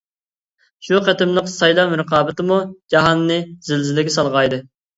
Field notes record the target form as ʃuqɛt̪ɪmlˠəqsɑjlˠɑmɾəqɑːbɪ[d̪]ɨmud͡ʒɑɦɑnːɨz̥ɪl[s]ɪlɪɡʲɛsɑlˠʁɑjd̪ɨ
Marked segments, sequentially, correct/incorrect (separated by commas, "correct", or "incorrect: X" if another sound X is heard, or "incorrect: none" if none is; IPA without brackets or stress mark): incorrect: t̪, incorrect: z